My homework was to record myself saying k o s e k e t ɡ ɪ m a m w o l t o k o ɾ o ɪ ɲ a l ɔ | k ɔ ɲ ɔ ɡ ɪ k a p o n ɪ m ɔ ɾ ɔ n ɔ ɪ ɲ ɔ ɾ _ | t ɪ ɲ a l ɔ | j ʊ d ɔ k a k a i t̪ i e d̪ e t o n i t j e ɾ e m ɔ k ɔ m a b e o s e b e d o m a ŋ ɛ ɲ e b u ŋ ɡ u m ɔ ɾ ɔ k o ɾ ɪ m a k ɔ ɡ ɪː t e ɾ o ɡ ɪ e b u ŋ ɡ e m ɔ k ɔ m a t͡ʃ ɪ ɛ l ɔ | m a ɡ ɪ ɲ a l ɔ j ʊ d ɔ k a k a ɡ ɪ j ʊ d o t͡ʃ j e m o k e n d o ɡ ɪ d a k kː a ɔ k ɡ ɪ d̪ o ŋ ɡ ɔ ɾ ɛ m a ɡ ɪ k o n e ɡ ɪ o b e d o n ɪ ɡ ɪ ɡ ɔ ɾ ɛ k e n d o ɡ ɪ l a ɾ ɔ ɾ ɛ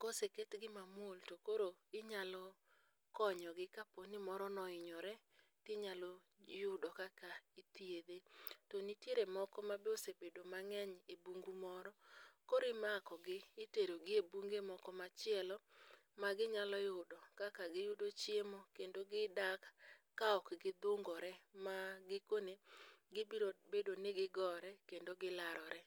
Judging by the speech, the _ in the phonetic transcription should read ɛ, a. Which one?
ɛ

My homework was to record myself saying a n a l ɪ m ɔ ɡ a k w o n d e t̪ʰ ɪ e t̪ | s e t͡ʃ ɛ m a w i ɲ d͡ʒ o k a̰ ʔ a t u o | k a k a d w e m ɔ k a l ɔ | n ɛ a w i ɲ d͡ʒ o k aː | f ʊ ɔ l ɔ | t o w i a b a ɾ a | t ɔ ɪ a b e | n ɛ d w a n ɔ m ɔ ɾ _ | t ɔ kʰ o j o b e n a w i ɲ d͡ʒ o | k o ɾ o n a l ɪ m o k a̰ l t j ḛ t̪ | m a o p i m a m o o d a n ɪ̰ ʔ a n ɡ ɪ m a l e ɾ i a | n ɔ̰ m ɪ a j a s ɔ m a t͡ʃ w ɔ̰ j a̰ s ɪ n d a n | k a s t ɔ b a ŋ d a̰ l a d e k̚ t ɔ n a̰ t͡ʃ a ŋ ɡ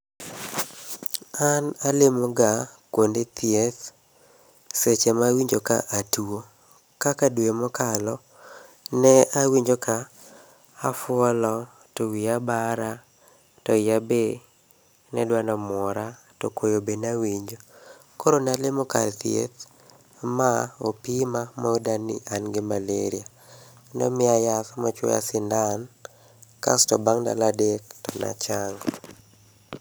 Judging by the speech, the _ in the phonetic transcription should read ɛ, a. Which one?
a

